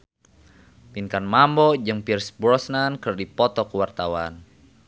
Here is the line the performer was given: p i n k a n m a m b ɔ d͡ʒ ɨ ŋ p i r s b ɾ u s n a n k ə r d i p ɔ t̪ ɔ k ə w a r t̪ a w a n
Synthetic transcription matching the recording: p i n k a n m a m b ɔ d͡ʒ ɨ ŋ p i r s b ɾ ɔ s n a n k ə r d i p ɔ t̪ ɔ k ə w a r t̪ a w a n